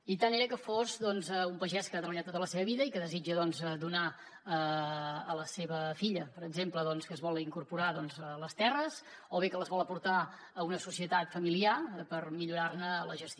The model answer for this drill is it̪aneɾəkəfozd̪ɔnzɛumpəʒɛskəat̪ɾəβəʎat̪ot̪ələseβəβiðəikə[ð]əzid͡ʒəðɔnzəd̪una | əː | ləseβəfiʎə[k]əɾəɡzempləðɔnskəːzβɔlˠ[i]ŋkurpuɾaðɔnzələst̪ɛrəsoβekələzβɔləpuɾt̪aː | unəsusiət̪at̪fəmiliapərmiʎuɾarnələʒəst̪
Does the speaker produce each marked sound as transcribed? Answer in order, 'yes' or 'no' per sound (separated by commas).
yes, no, yes